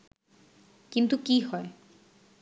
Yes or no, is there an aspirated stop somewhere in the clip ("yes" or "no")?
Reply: no